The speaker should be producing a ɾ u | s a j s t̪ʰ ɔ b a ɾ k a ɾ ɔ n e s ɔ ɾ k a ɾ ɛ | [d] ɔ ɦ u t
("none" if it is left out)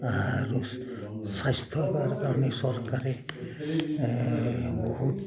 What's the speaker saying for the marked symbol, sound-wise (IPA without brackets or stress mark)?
b